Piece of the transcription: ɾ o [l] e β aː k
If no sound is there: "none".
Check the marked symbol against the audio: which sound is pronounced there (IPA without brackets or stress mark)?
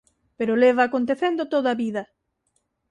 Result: l